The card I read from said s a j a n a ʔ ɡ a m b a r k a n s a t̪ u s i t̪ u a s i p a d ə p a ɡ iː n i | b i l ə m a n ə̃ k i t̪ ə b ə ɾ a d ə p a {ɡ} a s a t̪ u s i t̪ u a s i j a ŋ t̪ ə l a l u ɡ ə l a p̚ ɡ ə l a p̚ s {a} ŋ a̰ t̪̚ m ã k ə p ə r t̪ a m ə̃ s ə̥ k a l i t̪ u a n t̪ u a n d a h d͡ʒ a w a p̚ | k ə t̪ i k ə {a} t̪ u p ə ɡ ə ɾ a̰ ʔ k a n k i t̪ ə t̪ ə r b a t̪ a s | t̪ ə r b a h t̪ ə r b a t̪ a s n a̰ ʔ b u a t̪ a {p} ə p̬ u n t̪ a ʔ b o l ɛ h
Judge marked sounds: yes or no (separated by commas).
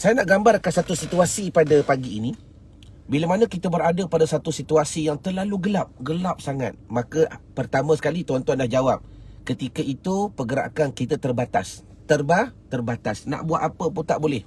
no, yes, no, yes